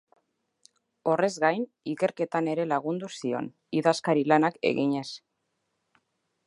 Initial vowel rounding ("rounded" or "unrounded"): rounded